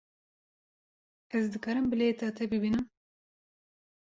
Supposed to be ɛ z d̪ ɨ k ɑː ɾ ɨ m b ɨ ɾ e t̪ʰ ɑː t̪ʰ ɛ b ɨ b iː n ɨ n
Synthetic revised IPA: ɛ z d̪ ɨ k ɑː ɾ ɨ m b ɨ l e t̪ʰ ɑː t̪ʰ ɛ b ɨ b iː n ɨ m